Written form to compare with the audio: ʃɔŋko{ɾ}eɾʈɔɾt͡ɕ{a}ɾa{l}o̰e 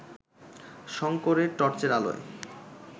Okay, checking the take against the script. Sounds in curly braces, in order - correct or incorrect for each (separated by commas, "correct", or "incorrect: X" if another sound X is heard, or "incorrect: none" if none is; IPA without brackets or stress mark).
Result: correct, incorrect: e, correct